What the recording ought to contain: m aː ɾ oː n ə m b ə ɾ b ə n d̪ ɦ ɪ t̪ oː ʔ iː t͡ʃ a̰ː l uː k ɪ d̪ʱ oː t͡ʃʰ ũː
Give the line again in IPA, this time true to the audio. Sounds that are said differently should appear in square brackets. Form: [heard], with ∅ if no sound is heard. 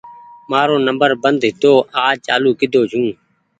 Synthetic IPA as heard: m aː ɾ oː n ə m b ə ɾ b ə n d̪ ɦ ɪ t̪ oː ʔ [aː] t͡ʃ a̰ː l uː k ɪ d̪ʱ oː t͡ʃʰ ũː

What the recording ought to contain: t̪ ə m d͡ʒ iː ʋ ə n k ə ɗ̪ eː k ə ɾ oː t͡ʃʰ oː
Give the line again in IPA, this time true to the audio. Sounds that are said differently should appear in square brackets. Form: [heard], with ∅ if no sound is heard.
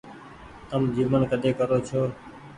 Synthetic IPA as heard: t̪ ə m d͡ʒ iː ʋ ə n k ə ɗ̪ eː k ə ɾ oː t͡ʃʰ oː

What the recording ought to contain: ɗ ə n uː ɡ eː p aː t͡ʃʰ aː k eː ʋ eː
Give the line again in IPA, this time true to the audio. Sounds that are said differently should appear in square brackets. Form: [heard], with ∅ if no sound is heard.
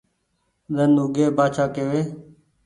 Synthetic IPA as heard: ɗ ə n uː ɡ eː [b] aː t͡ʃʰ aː k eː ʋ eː

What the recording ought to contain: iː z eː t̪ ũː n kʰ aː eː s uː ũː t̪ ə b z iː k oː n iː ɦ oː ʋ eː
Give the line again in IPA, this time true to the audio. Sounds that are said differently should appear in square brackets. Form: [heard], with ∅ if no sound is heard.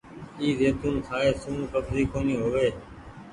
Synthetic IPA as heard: iː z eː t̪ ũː n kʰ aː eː s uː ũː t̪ ə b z iː k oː n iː ɦ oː ʋ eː

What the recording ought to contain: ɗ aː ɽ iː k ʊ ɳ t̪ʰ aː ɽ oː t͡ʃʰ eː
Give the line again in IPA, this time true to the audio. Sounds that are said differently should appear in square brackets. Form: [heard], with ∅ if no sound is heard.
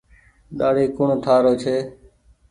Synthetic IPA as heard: ɗ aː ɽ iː k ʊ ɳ t̪ʰ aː [ɾ] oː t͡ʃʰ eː

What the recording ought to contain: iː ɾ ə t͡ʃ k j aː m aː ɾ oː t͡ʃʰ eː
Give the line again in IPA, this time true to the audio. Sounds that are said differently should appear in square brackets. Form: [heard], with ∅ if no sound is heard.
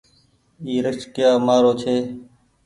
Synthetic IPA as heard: iː ɾ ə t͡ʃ k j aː m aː ɾ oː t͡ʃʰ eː

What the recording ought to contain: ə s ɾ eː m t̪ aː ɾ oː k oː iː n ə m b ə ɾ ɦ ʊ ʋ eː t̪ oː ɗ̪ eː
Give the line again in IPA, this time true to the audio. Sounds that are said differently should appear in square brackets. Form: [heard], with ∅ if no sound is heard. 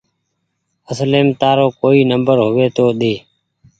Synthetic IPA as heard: ə s [l] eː m t̪ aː ɾ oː k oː iː n ə m b ə ɾ ɦ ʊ ʋ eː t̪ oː ɗ̪ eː

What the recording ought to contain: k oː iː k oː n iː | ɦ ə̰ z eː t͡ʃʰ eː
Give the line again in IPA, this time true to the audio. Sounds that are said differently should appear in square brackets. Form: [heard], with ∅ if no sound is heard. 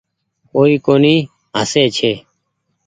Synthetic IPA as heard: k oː iː k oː n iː | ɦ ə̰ [s] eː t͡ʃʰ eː

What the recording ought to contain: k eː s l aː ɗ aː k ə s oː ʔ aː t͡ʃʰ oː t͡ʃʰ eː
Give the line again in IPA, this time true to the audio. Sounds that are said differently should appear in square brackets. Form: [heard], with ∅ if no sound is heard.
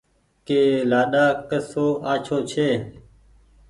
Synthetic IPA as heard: k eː [∅] l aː ɗ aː k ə s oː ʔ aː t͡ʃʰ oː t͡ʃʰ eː

